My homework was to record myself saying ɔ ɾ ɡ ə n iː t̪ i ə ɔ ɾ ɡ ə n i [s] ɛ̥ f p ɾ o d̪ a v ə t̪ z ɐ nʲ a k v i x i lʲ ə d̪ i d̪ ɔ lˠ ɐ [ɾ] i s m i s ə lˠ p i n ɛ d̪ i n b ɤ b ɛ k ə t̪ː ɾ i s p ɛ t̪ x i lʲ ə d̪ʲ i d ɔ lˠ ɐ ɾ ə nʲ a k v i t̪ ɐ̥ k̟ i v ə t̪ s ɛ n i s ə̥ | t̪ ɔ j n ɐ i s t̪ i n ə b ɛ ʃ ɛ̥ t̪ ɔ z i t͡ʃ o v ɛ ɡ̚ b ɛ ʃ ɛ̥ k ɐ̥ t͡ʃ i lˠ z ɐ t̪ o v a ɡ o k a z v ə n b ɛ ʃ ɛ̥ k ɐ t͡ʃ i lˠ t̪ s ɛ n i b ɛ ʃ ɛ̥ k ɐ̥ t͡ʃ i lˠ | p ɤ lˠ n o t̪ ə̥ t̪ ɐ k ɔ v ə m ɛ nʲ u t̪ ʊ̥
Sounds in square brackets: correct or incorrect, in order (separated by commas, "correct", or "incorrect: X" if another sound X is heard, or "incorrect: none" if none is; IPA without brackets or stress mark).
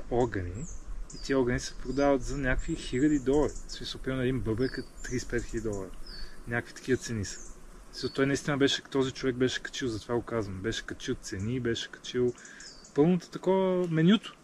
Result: correct, correct